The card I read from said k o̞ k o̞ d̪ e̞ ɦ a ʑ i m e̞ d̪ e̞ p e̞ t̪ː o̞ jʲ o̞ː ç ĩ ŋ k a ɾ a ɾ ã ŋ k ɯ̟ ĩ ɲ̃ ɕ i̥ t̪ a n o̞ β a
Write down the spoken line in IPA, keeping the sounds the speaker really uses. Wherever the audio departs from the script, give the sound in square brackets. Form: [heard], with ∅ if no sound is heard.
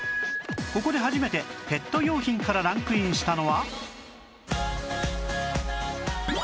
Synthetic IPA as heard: k o̞ k o̞ d̪ e̞ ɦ a ʑ i m e̞ [t̪] e̞ p e̞ t̪ː o̞ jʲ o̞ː ç ĩ ŋ k a ɾ a ɾ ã ŋ k ɯ̟ ĩ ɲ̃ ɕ i̥ t̪ a n o̞ β a